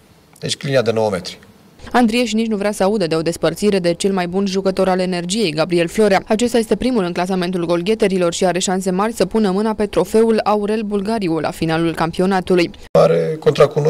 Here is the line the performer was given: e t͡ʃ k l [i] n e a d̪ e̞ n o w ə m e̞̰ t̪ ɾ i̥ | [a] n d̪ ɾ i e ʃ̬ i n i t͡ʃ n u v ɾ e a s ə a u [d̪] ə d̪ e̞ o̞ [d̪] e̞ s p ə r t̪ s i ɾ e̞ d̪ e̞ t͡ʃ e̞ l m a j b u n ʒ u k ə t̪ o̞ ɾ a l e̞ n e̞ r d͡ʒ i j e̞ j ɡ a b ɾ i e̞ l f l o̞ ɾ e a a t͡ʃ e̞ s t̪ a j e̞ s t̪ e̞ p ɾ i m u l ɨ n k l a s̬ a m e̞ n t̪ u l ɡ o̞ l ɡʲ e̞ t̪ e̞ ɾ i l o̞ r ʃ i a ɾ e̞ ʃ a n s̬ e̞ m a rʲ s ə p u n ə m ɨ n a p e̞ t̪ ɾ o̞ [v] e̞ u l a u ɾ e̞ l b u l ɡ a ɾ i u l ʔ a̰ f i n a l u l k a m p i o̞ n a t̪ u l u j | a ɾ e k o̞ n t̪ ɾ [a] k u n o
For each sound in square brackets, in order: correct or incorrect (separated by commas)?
correct, correct, correct, correct, incorrect, correct